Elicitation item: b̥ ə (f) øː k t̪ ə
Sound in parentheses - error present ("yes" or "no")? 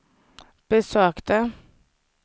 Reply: yes